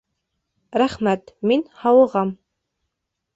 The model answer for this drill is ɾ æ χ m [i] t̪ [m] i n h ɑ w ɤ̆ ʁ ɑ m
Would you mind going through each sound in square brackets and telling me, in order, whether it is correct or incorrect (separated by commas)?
incorrect, correct